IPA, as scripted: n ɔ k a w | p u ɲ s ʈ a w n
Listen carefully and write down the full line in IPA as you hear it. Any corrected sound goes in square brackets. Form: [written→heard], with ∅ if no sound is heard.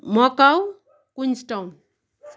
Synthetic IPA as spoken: [n→m] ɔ k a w | [p→k] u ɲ s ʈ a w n